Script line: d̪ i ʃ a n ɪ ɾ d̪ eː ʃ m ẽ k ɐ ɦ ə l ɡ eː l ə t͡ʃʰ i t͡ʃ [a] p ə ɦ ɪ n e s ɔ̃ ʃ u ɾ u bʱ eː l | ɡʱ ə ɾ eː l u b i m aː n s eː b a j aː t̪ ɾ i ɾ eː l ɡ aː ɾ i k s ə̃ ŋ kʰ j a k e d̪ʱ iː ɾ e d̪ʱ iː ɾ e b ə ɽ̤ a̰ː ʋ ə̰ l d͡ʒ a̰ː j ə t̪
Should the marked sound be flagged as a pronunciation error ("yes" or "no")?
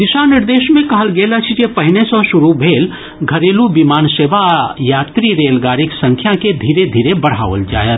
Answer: yes